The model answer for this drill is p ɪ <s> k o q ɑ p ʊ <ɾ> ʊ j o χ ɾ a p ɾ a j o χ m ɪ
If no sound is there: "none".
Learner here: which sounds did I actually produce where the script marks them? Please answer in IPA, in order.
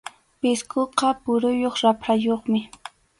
s, ɾ

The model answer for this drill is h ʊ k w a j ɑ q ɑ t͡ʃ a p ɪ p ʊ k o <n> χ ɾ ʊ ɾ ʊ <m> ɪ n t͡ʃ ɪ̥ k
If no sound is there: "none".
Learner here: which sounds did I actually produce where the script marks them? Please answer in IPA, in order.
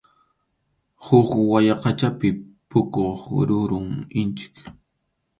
none, ŋ

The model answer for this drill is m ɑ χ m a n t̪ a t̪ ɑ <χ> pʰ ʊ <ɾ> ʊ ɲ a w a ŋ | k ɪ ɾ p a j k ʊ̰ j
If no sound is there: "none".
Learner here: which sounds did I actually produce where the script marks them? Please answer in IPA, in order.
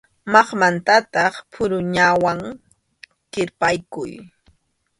χ, ɾ

